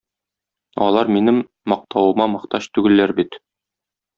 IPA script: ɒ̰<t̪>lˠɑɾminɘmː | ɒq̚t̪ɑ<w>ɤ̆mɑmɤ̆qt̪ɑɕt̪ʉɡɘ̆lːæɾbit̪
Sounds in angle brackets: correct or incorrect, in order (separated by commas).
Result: incorrect, correct